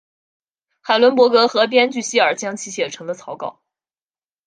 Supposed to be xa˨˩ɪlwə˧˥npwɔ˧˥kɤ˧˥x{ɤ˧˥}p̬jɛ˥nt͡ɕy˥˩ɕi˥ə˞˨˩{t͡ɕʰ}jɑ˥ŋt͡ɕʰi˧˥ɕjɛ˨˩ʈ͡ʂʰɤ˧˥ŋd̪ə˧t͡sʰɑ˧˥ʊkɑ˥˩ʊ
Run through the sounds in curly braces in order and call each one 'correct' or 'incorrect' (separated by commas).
correct, incorrect